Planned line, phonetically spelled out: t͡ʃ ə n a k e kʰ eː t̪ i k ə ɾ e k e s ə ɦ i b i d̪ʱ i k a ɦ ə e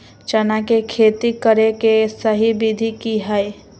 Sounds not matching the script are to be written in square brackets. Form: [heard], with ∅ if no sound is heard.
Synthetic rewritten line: t͡ʃ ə n a k e kʰ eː t̪ i k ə ɾ e k e s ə ɦ i b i d̪ʱ i k [i] ɦ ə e